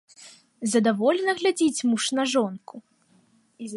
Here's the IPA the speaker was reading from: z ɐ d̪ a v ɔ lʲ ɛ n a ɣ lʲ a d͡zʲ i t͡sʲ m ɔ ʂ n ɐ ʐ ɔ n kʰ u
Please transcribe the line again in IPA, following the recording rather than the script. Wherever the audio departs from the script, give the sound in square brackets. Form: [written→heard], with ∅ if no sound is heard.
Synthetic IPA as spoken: z ɐ d̪ a v ɔ lʲ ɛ n [a→ɐ] ɣ lʲ a d͡zʲ i t͡sʲ m [ɔ→u] ʂ n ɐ ʐ ɔ n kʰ u